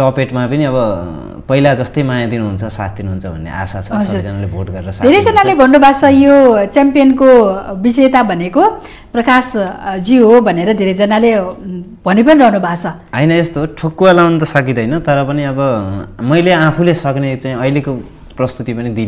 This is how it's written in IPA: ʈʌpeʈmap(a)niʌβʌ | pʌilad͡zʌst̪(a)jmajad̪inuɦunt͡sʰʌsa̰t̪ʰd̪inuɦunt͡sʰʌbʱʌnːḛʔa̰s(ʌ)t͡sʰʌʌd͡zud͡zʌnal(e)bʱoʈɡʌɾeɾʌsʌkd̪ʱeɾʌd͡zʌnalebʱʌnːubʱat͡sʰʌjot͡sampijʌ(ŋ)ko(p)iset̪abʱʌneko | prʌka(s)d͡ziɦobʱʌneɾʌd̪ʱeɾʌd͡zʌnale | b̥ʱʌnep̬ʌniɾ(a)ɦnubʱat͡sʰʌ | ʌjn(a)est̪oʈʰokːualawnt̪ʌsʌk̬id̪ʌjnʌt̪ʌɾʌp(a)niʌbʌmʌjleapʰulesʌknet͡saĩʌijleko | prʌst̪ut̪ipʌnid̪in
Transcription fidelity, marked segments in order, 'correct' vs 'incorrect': incorrect: ʌ, incorrect: ʌ, incorrect: a, correct, incorrect: n, incorrect: b, correct, incorrect: ʌ, incorrect: ʌ, incorrect: ʌ

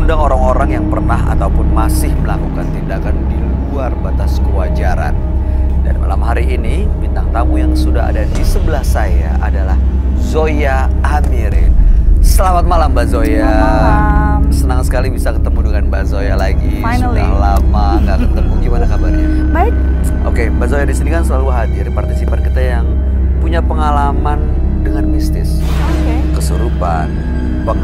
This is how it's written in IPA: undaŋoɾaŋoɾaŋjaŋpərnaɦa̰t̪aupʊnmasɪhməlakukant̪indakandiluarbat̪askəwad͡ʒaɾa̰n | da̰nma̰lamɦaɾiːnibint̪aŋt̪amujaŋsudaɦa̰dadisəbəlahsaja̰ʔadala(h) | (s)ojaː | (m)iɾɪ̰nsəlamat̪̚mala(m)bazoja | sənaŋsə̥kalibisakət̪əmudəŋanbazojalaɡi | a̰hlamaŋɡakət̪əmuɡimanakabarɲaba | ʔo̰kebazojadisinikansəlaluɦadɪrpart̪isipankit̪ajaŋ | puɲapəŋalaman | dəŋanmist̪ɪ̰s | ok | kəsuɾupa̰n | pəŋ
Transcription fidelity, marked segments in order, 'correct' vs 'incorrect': correct, incorrect: z, correct, correct

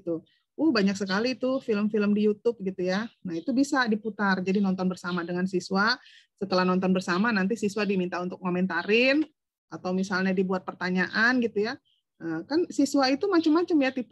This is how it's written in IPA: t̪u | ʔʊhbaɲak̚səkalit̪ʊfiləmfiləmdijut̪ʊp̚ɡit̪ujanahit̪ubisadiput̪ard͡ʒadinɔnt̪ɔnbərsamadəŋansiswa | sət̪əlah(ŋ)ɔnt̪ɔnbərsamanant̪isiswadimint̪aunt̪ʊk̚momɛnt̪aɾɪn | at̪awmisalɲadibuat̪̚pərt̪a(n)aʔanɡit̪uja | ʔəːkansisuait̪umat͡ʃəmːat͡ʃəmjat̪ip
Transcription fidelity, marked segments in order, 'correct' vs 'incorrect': incorrect: n, incorrect: ɲ

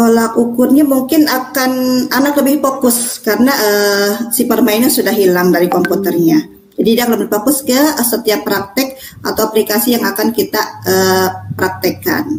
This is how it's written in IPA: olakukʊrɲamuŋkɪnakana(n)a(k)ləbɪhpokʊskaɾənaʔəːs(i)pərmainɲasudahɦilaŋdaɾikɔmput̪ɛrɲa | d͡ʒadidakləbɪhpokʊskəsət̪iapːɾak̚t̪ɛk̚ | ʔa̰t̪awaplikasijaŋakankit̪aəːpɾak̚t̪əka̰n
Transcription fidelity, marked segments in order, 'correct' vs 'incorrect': correct, correct, correct

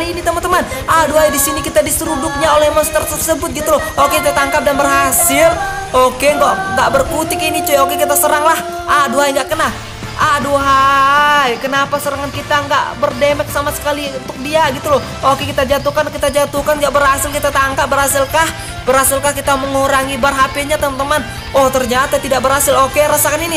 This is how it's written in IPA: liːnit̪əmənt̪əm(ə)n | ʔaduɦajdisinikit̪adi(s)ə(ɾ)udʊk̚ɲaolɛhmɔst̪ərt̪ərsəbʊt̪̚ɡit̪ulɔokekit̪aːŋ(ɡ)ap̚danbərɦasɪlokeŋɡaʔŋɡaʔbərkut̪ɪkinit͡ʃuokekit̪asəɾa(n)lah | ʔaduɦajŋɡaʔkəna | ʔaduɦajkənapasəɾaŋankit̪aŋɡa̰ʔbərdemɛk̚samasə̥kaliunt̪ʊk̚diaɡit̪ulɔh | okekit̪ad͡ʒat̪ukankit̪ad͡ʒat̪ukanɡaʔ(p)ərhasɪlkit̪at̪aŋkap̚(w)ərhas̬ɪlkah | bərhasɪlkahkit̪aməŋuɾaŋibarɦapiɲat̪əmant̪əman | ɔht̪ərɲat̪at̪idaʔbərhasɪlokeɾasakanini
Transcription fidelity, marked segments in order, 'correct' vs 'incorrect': incorrect: a, correct, correct, incorrect: k, incorrect: ŋ, incorrect: b, incorrect: b

